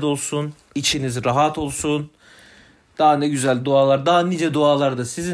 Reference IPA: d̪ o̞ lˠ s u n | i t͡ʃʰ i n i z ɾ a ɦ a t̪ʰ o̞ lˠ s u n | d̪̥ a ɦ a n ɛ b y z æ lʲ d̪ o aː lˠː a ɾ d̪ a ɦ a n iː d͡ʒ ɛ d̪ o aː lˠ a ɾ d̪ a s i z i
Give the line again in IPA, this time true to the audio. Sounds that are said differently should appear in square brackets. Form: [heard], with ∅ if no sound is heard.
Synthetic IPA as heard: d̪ o̞ lˠ s u n | i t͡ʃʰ i n i z ɾ a ɦ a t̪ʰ o̞ lˠ s u n | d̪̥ a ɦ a n ɛ [ɟ] y z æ lʲ d̪ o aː [lˠ] a ɾ d̪ a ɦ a n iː d͡ʒ ɛ d̪ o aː lˠ a ɾ d̪ a s i z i